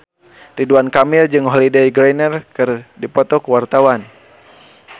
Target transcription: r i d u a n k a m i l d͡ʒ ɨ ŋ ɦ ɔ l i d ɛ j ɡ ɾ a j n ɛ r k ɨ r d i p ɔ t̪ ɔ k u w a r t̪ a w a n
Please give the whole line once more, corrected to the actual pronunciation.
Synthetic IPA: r i d u a n k a m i l d͡ʒ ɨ ŋ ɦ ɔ l i d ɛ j ɡ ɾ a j n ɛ r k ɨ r d i p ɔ t̪ ɔ k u w a r t̪ a w a n